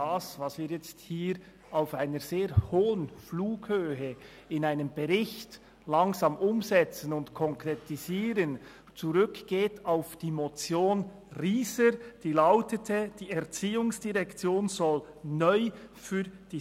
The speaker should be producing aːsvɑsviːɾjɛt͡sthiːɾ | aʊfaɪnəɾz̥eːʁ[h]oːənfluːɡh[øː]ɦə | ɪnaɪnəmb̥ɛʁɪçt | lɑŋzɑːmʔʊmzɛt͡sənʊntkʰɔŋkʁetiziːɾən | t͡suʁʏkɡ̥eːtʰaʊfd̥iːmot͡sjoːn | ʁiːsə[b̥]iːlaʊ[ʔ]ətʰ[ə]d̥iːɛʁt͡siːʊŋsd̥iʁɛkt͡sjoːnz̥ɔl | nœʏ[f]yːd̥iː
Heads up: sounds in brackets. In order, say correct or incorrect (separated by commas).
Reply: correct, correct, incorrect, incorrect, correct, correct